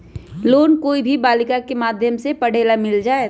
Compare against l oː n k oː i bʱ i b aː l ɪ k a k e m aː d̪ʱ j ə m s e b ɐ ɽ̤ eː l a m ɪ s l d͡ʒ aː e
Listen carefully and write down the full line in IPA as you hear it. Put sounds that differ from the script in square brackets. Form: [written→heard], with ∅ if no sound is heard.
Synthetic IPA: l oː n k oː i bʱ i b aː l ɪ k a k e m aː d̪ʱ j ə m s e [b→p] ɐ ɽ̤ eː l a m ɪ [s→∅] l d͡ʒ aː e